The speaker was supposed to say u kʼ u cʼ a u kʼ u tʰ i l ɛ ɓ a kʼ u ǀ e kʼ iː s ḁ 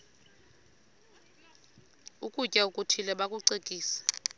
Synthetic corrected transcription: u kʼ u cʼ a u kʼ u tʰ i l ɛ ɓ a kʼ u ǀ e kʼ iː s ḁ